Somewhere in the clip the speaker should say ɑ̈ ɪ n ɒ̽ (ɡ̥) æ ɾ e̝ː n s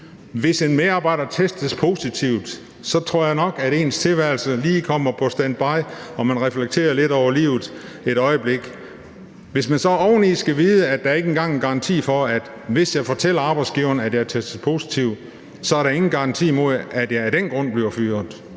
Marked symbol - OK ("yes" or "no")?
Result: yes